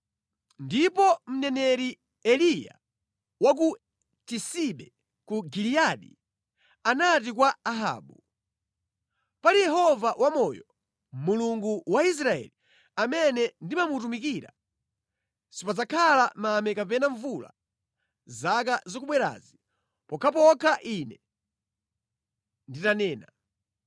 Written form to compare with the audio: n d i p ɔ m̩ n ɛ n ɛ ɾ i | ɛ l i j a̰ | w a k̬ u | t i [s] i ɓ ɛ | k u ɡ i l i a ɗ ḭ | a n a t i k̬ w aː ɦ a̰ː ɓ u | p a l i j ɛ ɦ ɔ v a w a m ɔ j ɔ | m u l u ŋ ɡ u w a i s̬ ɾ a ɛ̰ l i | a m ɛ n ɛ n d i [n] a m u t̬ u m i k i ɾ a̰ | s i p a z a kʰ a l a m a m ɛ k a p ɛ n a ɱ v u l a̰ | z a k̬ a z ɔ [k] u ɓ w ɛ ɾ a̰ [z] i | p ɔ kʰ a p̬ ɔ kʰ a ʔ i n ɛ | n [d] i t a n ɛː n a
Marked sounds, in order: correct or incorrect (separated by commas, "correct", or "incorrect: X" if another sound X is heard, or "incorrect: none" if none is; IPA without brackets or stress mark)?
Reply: correct, incorrect: m, correct, correct, correct